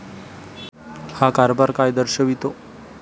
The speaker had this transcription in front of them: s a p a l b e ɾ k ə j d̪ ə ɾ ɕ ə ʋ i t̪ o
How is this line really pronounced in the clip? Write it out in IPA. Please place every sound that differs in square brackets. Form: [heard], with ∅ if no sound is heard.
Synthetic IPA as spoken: [h] a [k] a [ɾ] b [a] ɾ k [a] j d̪ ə ɾ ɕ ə ʋ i t̪ o